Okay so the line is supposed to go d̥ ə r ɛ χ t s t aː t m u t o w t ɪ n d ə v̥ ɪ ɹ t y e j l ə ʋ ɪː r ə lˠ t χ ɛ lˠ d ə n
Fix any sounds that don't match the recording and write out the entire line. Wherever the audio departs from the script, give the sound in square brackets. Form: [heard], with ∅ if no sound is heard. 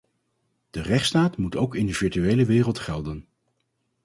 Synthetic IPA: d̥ ə r ɛ χ t s t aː t m u t o w [k] ɪ n d ə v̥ ɪ ɹ t y e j l ə ʋ ɪː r ə lˠ t χ ɛ lˠ d ə n